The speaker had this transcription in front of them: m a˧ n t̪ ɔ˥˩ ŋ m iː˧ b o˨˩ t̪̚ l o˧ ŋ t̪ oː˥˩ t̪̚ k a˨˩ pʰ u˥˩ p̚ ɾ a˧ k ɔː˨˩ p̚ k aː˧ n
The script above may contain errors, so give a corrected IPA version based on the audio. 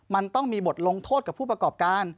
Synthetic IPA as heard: m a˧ n t̪ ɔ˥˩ ŋ m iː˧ b o˨˩ t̪̚ l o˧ ŋ t̪ʰ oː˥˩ t̪̚ k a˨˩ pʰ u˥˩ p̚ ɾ a˧ k ɔː˨˩ p̚ k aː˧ n